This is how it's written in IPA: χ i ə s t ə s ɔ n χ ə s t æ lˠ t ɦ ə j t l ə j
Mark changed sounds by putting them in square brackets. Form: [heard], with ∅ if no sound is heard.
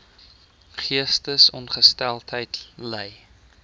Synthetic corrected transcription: χ i ə s t ə s ɔ n χ ə s t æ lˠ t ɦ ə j t l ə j